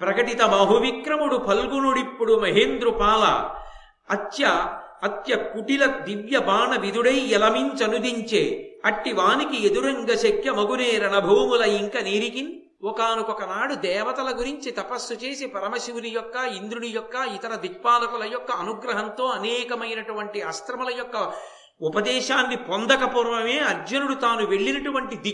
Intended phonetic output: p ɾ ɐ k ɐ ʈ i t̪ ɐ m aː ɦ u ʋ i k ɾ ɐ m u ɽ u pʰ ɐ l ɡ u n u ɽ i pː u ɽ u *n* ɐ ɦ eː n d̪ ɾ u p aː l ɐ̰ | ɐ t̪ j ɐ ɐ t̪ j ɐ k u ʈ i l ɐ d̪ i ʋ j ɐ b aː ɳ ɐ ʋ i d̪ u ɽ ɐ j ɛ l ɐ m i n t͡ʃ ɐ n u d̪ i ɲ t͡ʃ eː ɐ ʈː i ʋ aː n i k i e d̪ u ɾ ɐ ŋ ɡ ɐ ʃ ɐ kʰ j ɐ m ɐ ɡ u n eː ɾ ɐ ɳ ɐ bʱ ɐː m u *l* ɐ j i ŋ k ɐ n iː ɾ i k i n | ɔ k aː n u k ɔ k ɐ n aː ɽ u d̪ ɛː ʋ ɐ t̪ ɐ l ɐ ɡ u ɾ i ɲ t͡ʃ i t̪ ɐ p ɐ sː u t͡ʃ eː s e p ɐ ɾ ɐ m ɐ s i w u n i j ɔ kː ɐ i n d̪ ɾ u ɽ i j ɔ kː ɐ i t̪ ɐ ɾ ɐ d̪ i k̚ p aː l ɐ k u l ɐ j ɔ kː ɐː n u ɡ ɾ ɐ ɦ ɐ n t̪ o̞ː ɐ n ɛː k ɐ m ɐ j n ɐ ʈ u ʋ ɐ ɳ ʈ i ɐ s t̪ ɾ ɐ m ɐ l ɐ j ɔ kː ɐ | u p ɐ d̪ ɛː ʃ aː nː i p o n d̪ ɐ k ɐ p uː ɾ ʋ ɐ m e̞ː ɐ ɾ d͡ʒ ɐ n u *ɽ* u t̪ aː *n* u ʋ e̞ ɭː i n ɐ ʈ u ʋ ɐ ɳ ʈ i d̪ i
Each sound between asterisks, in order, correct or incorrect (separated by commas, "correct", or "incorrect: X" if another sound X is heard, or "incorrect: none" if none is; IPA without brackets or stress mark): incorrect: m, correct, correct, correct